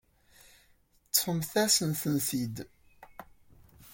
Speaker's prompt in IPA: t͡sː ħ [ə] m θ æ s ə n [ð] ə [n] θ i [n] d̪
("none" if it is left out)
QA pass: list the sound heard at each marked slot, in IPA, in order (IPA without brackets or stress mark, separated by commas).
ə, θ, n, none